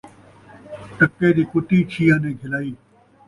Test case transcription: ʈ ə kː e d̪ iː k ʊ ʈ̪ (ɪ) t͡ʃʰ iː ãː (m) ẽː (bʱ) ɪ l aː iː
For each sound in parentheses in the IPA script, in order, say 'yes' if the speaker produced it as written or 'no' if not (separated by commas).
no, no, no